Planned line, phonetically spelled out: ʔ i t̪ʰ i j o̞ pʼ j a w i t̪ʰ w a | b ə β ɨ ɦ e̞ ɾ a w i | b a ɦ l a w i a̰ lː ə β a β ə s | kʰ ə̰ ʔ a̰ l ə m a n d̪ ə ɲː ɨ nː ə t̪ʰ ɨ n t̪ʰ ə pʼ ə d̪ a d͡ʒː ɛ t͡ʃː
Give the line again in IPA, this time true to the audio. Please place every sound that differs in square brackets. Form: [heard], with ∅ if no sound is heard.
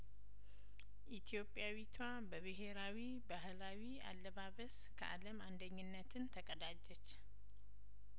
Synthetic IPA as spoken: ʔ i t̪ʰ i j o̞ pʼ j a w i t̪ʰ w a | b ə β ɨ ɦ e̞ ɾ a w i | b a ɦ l a w i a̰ lː ə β a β ə s | kʰ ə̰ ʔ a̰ l ə m a n d̪ ə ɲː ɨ nː ə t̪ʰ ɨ n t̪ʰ ə [kʼ] ə d̪ a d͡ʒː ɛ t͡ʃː